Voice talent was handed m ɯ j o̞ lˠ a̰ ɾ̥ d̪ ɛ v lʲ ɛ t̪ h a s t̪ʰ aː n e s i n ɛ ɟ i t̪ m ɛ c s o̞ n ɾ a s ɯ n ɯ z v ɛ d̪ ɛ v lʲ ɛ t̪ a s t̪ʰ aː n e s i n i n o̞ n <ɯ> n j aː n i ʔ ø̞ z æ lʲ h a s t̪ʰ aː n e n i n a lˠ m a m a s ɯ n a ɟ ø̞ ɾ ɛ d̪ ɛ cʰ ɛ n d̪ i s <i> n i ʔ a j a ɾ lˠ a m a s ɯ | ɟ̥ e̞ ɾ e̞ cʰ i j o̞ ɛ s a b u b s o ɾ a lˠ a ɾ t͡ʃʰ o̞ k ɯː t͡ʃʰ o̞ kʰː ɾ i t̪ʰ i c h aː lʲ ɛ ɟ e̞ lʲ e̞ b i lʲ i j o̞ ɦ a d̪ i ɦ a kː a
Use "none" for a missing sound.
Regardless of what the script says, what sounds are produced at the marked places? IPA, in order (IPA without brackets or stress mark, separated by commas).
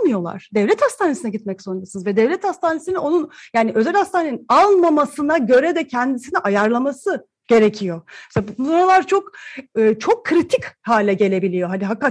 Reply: u, i